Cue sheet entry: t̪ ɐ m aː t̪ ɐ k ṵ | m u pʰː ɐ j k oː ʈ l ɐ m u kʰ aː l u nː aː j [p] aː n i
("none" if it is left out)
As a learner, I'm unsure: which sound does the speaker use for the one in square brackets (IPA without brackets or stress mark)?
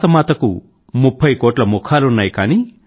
k